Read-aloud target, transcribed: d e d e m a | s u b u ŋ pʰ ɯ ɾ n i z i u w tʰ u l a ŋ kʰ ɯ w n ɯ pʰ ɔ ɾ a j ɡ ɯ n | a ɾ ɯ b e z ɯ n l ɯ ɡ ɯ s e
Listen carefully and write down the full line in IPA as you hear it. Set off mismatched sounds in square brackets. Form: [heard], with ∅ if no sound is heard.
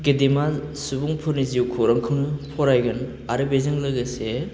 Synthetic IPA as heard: [ɡ] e d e m a | s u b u ŋ pʰ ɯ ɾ n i z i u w [kʰ] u [ɾ] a ŋ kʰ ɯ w n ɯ pʰ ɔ ɾ a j ɡ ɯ n | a ɾ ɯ b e z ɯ [ŋ] l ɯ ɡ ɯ s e